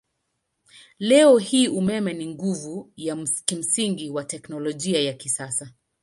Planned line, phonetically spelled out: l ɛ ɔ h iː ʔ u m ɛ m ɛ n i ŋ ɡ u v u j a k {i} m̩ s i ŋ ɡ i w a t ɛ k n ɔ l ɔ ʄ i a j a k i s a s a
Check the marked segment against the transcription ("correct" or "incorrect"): correct